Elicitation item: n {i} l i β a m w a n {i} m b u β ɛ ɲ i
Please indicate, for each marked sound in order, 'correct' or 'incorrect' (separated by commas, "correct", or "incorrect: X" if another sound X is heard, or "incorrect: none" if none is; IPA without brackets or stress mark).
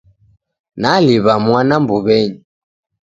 incorrect: a, incorrect: a